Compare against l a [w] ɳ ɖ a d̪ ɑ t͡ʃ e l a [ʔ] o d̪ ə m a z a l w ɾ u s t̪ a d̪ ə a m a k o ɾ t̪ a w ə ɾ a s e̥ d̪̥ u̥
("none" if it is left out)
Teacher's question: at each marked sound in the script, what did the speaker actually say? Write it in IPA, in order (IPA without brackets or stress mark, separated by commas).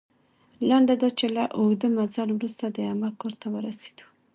none, ʔ